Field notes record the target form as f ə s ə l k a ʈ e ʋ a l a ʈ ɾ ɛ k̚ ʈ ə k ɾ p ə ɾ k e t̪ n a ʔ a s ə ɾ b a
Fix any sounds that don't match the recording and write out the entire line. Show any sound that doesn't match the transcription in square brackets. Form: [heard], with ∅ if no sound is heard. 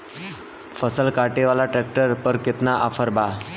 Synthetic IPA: f ə s ə l k a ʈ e ʋ a l a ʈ ɾ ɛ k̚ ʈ ə [∅] ɾ p ə ɾ k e t̪ n a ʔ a [f] ə ɾ b a

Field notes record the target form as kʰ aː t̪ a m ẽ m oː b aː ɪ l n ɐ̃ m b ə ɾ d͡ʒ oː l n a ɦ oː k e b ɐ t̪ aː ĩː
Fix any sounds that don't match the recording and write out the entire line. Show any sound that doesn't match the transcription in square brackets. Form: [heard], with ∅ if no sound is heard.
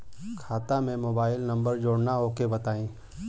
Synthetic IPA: kʰ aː t̪ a m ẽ m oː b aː ɪ l n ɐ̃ m b ə ɾ d͡ʒ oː [ɽ] n a ɦ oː k e b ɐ t̪ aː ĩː

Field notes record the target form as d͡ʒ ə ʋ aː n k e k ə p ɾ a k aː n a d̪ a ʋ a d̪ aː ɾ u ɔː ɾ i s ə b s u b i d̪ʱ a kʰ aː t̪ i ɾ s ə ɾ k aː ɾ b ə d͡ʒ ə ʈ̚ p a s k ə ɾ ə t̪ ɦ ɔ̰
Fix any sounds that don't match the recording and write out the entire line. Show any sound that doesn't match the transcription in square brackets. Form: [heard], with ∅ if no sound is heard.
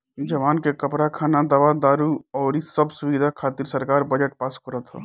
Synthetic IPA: d͡ʒ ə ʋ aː n k e k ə p ɾ a [kʰ] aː n a d̪ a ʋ a d̪ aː ɾ u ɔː ɾ i s ə b s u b i d̪ʱ a kʰ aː t̪ i ɾ s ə ɾ k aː ɾ b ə d͡ʒ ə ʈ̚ p a s k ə ɾ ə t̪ ɦ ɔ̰

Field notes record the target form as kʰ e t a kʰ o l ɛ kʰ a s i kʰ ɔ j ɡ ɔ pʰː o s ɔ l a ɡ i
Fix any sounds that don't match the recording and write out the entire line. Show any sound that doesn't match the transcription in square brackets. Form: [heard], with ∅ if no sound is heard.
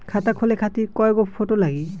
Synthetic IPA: kʰ [a] t a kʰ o l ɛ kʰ a [t] i [k] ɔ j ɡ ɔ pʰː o [t] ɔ l a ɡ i

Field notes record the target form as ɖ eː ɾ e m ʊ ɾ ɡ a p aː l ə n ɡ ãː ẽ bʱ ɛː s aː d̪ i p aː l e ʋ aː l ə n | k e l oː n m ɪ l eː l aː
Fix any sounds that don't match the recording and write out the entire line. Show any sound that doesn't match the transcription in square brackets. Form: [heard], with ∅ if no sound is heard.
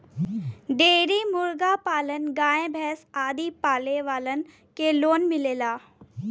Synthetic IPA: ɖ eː ɾ [i] m ʊ ɾ ɡ a p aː l ə n ɡ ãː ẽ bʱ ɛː s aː d̪ i p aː l e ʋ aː l ə n | k e l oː n m ɪ l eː l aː

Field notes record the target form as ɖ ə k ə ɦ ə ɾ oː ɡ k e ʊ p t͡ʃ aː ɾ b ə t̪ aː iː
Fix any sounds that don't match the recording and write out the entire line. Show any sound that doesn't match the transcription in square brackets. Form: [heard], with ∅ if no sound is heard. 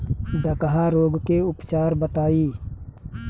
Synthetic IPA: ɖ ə k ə ɦ [a] ɾ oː ɡ k e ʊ p t͡ʃ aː ɾ b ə t̪ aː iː

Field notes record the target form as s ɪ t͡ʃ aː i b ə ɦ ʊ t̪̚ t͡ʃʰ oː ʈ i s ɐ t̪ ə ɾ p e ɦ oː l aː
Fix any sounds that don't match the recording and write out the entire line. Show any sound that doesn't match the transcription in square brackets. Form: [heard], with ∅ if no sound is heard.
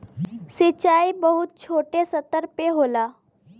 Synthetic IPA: s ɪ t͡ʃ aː i b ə ɦ ʊ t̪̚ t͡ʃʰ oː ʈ [e] s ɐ t̪ ə ɾ p e ɦ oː l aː

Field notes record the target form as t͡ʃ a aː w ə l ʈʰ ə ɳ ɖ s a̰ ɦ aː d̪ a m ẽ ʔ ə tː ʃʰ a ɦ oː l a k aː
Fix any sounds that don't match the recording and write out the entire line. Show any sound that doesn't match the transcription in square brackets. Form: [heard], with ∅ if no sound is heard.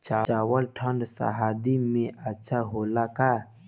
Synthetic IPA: t͡ʃ a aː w ə l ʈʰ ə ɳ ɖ s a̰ ɦ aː d̪ [i] m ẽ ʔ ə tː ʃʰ a ɦ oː l a k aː

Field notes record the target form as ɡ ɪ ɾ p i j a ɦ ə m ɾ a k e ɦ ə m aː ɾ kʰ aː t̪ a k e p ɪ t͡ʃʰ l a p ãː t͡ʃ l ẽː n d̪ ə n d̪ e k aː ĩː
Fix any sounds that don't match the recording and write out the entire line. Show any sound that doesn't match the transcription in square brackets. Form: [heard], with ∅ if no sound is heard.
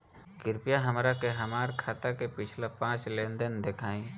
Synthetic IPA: ɡ ɪ ɾ p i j a ɦ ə m ɾ a k e ɦ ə m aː ɾ kʰ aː t̪ a k e p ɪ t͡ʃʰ l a p ãː t͡ʃ l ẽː n d̪ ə n d̪ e [kʰ] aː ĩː

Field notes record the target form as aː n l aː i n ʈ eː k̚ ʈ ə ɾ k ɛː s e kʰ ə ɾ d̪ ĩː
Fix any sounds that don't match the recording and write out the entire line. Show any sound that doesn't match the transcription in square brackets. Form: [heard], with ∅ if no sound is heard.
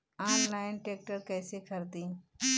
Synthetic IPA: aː n l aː [ɪ] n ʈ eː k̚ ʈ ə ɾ k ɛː s e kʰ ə ɾ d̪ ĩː

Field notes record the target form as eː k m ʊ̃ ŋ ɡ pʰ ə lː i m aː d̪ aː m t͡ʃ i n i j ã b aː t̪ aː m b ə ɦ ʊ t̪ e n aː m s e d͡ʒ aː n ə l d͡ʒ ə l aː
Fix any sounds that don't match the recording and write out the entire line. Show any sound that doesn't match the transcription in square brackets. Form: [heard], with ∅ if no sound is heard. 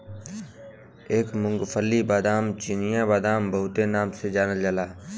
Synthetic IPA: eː k m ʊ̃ ŋ ɡ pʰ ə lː i [b] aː d̪ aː m t͡ʃ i n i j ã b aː [d̪] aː m b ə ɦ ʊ t̪ e n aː m s e d͡ʒ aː n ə l d͡ʒ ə l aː

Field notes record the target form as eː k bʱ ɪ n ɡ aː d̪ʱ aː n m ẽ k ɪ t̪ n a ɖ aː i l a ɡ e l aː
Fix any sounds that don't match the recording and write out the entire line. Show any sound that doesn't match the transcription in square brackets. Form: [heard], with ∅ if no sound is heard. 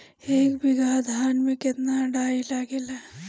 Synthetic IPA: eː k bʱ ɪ [∅] ɡ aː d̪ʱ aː n m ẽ k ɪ t̪ n a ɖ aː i l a ɡ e l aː

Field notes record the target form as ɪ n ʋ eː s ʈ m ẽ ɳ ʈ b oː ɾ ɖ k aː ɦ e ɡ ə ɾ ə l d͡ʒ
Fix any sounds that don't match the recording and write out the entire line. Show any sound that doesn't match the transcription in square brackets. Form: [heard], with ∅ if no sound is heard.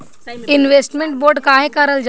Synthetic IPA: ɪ n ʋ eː s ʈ m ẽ ɳ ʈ b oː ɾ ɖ k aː ɦ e [k] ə ɾ ə l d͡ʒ

